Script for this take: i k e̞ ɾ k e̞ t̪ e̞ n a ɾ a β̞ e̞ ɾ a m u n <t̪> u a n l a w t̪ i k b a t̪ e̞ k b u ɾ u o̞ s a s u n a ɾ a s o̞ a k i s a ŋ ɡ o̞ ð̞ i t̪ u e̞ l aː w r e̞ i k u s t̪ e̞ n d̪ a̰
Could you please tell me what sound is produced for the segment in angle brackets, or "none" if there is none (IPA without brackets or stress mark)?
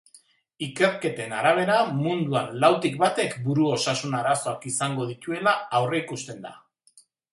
d̪